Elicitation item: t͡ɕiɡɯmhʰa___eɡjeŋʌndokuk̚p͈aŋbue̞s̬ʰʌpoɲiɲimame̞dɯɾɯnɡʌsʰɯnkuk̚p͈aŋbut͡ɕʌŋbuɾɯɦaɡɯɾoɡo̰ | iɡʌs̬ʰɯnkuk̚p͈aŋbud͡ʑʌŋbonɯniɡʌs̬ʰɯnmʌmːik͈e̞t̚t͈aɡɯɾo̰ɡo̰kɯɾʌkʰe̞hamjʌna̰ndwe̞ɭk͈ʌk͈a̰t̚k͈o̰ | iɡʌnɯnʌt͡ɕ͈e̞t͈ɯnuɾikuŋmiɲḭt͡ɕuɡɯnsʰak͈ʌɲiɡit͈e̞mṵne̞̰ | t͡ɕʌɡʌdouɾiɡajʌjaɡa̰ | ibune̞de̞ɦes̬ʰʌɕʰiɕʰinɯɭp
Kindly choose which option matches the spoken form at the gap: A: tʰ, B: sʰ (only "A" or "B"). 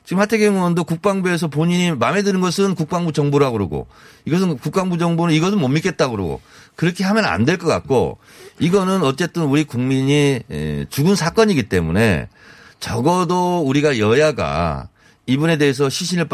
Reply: A